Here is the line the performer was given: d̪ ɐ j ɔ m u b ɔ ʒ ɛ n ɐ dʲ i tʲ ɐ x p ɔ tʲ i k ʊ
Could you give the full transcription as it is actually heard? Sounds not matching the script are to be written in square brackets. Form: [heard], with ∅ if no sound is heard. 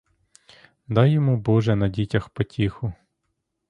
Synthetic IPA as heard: d̪ [ɑ] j ɔ m u b ɔ ʒ ɛ n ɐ dʲ i tʲ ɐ x p ɔ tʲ i [x] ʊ